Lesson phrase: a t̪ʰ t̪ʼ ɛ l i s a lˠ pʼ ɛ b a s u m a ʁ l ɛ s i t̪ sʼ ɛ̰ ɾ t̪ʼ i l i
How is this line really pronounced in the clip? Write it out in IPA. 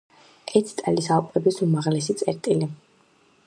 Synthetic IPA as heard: ɛ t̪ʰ t̪ʼ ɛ l i s a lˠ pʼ ɛ b i s u m a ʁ l ɛ s i t̪ sʼ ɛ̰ ɾ t̪ʼ i l i